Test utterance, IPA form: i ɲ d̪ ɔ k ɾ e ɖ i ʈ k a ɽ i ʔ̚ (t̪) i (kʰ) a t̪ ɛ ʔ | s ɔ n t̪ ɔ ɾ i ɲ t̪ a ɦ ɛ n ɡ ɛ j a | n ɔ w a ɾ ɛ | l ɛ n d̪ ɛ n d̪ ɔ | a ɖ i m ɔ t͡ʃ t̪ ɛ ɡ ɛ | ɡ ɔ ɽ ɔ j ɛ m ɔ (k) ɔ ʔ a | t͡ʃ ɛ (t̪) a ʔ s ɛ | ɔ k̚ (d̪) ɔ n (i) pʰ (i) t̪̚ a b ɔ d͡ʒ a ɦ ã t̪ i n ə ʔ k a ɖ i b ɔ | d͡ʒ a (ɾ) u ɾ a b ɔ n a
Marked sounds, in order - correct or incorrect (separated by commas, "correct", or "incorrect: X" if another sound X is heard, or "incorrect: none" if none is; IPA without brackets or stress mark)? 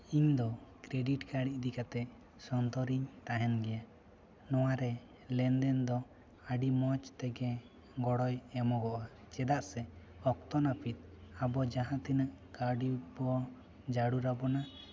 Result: incorrect: d̪, incorrect: k, incorrect: ɡ, incorrect: d̪, incorrect: t̪, incorrect: a, correct, incorrect: ɽ